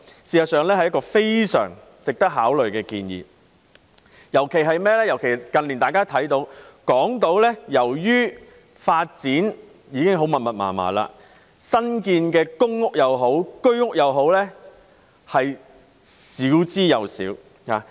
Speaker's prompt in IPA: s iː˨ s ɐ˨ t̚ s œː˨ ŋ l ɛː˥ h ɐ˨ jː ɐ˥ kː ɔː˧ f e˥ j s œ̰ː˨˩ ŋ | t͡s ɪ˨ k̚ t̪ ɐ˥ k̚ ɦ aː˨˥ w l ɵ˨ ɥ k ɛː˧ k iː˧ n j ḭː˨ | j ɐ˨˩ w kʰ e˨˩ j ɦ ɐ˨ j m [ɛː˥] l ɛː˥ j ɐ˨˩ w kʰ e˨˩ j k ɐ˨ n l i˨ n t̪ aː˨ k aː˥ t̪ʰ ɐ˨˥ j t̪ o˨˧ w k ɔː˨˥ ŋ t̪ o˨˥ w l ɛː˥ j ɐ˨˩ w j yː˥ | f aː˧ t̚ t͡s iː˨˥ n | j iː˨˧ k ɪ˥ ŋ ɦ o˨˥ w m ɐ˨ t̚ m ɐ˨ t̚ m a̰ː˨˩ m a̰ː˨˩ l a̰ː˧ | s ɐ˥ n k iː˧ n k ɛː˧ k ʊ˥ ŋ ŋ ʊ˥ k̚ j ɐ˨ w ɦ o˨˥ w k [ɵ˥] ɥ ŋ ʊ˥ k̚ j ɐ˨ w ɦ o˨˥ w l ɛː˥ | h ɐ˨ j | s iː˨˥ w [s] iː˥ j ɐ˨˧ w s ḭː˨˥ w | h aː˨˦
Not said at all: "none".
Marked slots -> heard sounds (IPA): ɛː˥, ɵ˥, t͡s

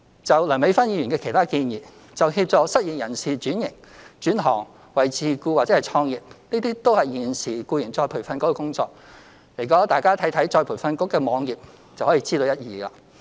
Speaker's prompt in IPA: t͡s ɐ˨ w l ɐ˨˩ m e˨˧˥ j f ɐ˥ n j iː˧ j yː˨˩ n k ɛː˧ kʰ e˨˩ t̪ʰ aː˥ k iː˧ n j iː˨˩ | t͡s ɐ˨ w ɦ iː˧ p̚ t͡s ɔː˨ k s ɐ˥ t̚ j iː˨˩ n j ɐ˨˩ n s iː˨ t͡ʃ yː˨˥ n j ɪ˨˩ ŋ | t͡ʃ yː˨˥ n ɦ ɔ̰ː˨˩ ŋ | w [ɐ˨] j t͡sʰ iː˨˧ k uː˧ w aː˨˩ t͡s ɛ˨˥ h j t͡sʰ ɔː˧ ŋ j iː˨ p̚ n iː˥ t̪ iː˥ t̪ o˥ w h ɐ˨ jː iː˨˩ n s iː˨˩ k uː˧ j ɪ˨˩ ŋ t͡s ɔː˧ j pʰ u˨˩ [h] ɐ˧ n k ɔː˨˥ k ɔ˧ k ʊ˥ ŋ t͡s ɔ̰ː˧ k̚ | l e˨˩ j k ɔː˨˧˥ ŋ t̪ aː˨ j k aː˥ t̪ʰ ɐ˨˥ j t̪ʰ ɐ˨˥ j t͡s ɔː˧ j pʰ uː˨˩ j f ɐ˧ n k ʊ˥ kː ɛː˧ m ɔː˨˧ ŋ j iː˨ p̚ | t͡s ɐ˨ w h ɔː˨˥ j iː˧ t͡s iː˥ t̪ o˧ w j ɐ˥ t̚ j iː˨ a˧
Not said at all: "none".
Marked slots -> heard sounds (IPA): ɐ˨, f

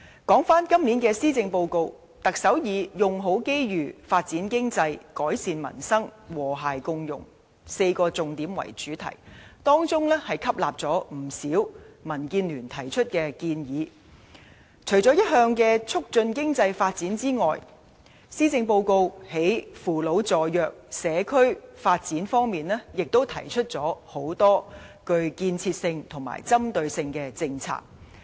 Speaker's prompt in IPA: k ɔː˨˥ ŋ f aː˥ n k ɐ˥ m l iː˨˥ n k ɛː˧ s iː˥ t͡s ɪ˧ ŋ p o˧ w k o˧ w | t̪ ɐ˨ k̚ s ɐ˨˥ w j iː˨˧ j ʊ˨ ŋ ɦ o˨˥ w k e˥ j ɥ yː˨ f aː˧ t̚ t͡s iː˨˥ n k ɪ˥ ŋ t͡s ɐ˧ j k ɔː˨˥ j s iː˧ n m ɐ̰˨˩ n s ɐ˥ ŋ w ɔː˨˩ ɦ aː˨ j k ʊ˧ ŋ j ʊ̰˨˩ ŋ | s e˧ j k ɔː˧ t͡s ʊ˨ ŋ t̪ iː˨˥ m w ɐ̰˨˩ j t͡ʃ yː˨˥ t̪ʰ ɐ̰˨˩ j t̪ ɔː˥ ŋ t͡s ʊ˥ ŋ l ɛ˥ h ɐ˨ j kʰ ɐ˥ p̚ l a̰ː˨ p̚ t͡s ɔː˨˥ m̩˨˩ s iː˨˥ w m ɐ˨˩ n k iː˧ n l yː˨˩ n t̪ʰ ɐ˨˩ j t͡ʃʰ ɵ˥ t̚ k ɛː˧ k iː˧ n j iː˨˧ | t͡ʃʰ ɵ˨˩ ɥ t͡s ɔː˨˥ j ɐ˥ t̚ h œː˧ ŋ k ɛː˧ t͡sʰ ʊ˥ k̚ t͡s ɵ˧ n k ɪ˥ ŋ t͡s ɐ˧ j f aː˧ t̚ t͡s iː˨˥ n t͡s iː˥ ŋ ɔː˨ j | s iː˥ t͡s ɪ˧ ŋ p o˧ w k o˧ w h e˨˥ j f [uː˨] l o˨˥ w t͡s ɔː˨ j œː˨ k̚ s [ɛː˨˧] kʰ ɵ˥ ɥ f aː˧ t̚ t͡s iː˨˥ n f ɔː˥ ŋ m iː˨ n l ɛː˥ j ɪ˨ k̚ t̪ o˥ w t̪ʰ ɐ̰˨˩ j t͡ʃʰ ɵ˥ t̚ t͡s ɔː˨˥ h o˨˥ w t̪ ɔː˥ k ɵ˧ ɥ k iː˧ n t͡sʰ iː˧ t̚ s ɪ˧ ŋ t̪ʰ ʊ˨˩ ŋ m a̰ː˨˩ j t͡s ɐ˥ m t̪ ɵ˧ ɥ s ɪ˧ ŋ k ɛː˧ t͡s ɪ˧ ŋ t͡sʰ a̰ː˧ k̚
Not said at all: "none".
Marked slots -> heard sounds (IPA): uː˨, ɛː˨˧

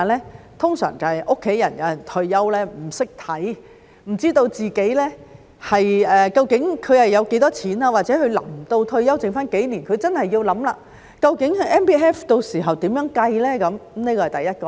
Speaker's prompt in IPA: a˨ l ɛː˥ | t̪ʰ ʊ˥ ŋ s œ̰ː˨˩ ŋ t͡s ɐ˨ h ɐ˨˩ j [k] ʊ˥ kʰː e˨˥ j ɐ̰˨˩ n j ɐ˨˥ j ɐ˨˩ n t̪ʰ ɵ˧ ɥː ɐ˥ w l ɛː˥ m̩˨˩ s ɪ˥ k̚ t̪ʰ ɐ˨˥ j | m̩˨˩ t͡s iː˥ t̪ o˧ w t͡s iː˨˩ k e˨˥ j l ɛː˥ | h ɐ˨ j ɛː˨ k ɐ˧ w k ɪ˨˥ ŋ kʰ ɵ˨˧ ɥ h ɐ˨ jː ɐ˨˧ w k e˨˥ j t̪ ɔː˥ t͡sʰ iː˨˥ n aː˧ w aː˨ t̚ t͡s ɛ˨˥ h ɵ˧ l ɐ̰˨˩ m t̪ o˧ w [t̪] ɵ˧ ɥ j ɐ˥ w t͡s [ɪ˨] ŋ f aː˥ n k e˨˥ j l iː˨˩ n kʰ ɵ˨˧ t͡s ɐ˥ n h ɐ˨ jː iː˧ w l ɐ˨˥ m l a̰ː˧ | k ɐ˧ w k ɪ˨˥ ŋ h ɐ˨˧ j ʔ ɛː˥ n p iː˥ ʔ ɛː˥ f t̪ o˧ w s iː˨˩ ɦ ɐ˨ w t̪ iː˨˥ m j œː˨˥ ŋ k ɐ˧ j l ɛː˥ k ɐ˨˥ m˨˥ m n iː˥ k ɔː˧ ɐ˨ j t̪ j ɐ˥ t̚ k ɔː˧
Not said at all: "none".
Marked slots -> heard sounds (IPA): ʔ, t̪ʰ, ɪ˨

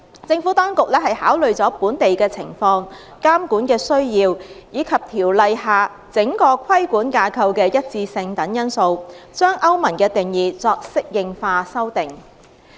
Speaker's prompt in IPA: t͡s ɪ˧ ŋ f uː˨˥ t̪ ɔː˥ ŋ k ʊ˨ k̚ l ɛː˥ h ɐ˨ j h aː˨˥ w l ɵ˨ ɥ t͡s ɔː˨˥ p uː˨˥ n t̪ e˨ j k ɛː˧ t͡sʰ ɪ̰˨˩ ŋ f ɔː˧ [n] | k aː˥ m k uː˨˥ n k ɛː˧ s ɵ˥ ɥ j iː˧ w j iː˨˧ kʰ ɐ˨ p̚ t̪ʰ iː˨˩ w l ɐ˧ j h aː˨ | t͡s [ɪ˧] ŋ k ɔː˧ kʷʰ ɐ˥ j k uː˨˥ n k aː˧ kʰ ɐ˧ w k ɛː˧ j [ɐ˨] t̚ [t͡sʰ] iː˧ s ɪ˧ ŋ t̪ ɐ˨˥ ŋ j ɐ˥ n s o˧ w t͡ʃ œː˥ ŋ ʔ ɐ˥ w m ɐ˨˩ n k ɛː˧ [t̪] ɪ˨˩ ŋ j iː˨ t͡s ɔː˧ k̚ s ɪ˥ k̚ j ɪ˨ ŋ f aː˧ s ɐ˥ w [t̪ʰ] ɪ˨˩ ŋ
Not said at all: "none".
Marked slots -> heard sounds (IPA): ŋ, ɪ˨˥, ɐ˥, t͡s, t̪, t̪

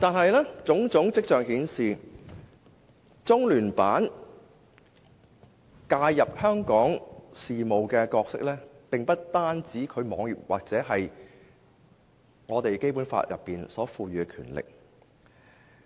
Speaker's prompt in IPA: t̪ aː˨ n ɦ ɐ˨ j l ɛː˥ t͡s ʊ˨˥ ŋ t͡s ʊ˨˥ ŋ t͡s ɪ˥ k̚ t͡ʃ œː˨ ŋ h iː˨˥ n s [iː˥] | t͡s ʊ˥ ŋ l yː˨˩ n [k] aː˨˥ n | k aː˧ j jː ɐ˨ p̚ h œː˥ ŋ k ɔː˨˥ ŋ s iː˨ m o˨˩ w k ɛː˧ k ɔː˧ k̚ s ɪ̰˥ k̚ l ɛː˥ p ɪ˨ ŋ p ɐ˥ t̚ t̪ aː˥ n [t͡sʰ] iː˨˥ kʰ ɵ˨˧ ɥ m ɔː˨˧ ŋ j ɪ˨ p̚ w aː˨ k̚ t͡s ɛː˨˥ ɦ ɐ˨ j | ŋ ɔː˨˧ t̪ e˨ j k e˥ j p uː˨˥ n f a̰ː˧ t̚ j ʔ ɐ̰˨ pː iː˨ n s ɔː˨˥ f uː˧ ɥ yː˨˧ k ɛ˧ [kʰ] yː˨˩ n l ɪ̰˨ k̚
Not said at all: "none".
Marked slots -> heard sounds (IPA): iː˨, p, t͡s, kʰ

